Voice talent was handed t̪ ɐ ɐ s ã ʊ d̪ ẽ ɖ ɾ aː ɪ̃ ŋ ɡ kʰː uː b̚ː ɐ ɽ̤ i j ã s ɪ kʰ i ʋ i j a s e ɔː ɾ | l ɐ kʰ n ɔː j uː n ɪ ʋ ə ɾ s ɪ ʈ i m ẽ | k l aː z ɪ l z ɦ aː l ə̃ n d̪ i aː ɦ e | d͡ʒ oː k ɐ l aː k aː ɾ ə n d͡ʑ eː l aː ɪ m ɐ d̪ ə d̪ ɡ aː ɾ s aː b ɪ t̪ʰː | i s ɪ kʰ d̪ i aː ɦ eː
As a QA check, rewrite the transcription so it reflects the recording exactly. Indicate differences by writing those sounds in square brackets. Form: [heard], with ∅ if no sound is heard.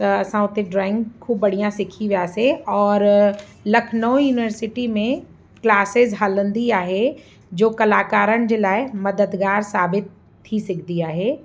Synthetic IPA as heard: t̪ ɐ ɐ s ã ʊ [t̪] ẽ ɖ ɾ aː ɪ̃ ŋ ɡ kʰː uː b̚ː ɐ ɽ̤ i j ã s ɪ kʰ i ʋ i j a s e ɔː ɾ | l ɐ kʰ n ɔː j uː n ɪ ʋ ə ɾ s ɪ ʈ i m ẽ | k l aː [s] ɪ [∅] z ɦ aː l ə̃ n d̪ i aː ɦ e | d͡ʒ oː k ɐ l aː k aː ɾ ə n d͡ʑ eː l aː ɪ m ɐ d̪ ə d̪ ɡ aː ɾ s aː b ɪ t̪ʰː | i s ɪ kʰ d̪ i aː ɦ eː